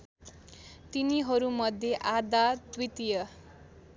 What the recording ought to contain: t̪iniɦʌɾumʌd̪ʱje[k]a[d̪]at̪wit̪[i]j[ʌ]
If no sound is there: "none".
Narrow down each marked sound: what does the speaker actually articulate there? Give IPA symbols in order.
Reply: ʔ, d̪, i, ʌ

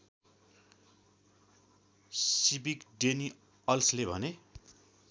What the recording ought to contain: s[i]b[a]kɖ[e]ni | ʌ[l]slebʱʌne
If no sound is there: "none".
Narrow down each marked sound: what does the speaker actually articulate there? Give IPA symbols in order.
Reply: i, i, e, l

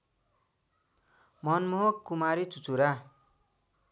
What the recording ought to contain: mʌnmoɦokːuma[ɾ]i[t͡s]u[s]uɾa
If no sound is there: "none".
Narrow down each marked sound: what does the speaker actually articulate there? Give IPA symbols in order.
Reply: ɾ, t͡s, t͡s

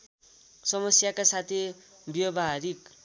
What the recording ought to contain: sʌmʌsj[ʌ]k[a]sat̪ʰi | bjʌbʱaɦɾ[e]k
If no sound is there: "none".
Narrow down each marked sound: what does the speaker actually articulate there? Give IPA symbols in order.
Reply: a, a, i

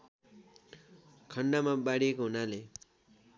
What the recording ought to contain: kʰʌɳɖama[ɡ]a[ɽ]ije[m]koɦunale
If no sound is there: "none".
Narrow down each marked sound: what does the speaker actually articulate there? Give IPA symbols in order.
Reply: b, ɽ, none

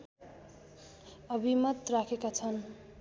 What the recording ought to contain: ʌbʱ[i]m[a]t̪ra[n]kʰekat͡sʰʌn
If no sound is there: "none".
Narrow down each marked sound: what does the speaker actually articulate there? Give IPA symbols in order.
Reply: i, ʌ, none

